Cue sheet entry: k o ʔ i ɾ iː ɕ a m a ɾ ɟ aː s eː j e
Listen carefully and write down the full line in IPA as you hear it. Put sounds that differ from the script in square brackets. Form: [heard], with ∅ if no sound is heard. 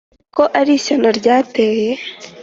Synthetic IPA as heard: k o ʔ [a] ɾ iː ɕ a [n] a ɾ ɟ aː [t] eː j e

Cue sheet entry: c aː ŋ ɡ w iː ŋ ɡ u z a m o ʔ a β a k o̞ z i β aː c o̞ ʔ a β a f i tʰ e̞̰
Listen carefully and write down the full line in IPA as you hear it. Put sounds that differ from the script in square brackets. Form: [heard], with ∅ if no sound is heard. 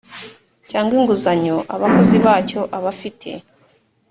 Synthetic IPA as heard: c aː ŋ ɡ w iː ŋ ɡ u z a [ɲ] o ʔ a β a k o̞ z i β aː c o̞ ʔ a β a f i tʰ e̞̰

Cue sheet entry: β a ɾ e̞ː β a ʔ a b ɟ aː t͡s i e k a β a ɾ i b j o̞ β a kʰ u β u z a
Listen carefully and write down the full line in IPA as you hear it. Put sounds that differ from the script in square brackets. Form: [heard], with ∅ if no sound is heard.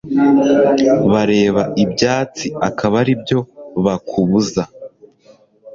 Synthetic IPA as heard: β a ɾ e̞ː β a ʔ [i] b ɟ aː t͡s i [a] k a β a ɾ i b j o̞ β a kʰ u β u z a

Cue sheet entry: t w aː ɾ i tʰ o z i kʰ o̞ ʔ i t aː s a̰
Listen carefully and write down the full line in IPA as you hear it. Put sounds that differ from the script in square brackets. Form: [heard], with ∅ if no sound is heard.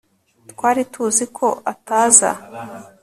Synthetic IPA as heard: t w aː ɾ i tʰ [u] z i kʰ o̞ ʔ [a] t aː [z] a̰

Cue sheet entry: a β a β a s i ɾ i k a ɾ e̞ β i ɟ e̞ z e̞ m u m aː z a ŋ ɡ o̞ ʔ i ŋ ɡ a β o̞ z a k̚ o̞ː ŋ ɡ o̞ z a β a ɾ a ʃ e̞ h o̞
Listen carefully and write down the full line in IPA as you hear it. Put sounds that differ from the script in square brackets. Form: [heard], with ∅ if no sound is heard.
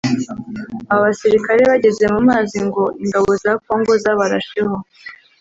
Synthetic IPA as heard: a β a β a s i ɾ i k a ɾ e̞ β [a] ɟ e̞ z e̞ m u m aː z [i] ŋ ɡ o̞ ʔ i ŋ ɡ a β o̞ z a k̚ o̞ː ŋ ɡ o̞ z a β a ɾ a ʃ e̞ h o̞

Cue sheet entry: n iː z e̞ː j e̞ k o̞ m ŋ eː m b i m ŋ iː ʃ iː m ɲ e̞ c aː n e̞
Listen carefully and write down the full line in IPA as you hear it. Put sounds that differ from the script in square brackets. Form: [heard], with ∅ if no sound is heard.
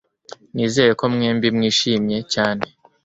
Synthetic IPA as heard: n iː z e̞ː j e̞ k o̞ m ŋ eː m b i m ŋ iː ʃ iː m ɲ e̞ c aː n e̞

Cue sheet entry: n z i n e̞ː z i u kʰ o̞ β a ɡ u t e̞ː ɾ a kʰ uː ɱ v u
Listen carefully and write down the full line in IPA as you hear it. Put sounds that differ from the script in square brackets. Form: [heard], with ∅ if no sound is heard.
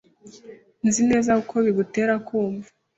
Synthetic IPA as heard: n z i n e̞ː z [a] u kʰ o̞ β [i] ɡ u t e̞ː ɾ a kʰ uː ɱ v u

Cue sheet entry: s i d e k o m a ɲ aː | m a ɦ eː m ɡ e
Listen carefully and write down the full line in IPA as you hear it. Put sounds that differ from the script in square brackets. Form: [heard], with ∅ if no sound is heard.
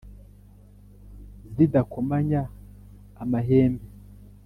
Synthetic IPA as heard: [z] i d [a] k o m a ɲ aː | m a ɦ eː m [b] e

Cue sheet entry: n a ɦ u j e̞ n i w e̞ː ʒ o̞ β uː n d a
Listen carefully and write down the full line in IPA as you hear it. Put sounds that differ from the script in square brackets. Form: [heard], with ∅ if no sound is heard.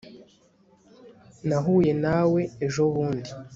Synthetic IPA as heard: n a ɦ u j e̞ n [a] w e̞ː ʒ o̞ β uː n d [i]

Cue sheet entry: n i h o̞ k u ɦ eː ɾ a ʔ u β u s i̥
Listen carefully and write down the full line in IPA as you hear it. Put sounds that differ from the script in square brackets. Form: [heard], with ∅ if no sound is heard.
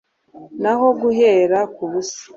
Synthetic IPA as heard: n [a] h o̞ [ɡ] u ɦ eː ɾ a [k] u β u s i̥

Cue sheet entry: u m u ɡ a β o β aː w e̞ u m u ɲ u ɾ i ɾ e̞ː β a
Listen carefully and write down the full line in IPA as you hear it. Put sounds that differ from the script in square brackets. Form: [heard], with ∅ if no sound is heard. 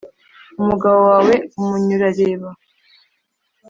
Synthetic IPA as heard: u m u ɡ a β o [w] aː w e̞ u m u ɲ u ɾ [a] ɾ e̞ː β a

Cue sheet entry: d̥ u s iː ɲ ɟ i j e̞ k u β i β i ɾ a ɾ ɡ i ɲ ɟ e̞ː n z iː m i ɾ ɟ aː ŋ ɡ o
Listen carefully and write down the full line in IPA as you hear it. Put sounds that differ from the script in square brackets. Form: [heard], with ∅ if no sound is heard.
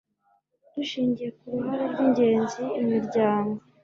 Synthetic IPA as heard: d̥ u [ʃ] iː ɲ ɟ i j e̞ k u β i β [a] ɾ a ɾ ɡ i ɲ ɟ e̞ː n z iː m i ɾ ɟ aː ŋ ɡ o

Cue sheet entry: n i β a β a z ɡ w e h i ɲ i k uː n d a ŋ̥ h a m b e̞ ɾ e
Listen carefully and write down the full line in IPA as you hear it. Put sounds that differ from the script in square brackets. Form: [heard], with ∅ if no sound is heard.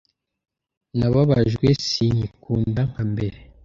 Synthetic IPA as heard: n [a] β a β a [ʒ] ɡ w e [s] i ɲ i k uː n d a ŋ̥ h a m b e̞ ɾ e

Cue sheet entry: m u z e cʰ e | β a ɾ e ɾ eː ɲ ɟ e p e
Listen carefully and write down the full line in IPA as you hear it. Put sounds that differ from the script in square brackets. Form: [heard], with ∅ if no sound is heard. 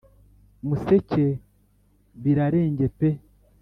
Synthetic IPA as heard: m u [s] e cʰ e | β [i] ɾ [a] ɾ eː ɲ ɟ e p e

